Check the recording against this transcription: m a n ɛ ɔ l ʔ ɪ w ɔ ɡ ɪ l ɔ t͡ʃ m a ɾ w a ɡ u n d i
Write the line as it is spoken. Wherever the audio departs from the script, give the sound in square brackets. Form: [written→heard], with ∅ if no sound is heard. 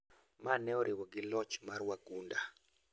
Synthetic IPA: m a n ɛ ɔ [l→ɾ] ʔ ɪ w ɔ ɡ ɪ l ɔ t͡ʃ m a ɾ w a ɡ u n d [i→a]